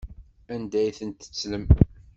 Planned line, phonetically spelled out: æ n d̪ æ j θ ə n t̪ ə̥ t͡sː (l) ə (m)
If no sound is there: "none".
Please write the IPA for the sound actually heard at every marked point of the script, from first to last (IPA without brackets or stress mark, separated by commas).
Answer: l, m